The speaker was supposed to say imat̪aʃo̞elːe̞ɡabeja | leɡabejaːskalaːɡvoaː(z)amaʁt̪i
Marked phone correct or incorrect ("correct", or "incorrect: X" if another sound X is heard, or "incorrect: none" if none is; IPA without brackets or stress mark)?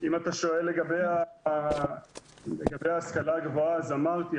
correct